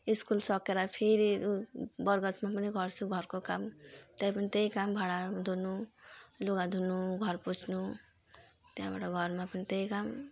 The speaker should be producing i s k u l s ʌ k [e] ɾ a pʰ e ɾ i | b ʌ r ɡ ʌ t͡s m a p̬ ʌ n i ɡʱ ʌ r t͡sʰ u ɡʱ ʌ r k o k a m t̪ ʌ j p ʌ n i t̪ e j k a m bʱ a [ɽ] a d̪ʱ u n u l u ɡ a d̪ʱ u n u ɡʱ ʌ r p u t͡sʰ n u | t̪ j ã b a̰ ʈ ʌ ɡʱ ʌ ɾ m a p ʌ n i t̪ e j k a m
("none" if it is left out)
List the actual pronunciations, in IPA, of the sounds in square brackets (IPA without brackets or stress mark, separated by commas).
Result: e, ɽ